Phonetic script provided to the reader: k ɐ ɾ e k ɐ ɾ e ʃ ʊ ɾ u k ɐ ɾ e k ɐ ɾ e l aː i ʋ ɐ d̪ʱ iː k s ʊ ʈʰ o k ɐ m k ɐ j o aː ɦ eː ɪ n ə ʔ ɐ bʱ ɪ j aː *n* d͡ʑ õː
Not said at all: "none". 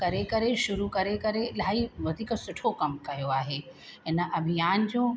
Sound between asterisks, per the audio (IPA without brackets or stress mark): n